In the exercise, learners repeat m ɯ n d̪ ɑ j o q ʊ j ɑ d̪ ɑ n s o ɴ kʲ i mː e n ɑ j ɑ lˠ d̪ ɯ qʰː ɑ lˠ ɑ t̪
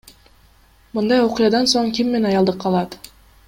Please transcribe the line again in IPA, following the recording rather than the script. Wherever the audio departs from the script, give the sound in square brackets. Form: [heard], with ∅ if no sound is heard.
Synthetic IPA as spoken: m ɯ n d̪ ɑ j o q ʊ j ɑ d̪ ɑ n s o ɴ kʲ i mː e n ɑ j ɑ lˠ d̪ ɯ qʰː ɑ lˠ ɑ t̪